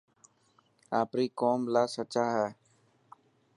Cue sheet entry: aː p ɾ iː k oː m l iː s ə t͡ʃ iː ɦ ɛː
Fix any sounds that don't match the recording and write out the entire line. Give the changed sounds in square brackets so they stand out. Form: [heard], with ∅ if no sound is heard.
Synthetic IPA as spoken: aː p ɾ iː k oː m l [aː] s ə t͡ʃ [aː] ɦ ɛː